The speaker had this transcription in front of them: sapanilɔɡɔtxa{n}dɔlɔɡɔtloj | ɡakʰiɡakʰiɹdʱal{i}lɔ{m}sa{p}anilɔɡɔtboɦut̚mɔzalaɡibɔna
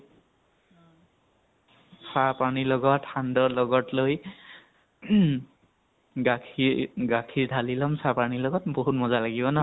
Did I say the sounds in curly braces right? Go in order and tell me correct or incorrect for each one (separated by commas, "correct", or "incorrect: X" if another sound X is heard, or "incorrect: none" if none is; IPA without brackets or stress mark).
correct, correct, correct, correct